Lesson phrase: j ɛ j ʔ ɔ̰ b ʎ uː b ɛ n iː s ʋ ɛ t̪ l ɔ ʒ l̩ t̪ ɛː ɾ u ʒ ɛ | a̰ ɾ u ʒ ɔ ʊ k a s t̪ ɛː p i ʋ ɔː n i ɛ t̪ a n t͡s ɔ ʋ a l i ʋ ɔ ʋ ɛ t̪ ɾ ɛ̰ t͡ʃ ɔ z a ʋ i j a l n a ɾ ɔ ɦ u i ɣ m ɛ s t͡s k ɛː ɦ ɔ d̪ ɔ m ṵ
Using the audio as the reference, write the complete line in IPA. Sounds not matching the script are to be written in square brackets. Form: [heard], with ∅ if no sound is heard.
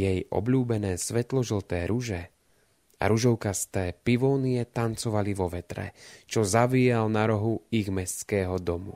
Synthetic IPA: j ɛ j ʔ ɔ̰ b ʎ uː b ɛ n [ɛː] s ʋ ɛ t̪ l ɔ ʒ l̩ t̪ ɛː ɾ u ʒ ɛ | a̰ ɾ u ʒ ɔ ʊ k a s t̪ ɛː p i ʋ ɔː n i ɛ t̪ a n t͡s ɔ ʋ a l i ʋ ɔ ʋ ɛ t̪ ɾ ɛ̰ t͡ʃ ɔ z a ʋ i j a l n a ɾ ɔ ɦ u i ɣ m ɛ s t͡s k ɛː ɦ ɔ d̪ ɔ m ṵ